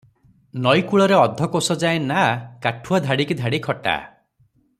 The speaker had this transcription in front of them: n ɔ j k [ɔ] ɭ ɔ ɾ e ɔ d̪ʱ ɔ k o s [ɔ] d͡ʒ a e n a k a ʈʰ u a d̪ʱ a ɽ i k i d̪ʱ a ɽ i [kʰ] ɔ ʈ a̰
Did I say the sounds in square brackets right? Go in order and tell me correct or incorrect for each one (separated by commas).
incorrect, correct, correct